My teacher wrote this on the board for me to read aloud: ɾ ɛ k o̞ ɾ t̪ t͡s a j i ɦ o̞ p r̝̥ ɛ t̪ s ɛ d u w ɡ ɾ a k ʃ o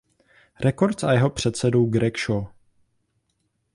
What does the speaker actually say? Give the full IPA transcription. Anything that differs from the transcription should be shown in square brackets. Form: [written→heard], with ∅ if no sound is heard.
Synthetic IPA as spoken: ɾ ɛ k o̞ ɾ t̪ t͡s a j [i→ɛ] ɦ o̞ p r̝̥ ɛ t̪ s ɛ d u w ɡ ɾ [a→ɛ] k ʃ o